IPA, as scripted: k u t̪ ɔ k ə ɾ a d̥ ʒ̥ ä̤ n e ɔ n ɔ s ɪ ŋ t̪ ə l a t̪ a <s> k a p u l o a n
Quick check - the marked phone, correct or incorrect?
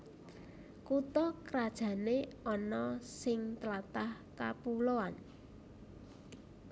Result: incorrect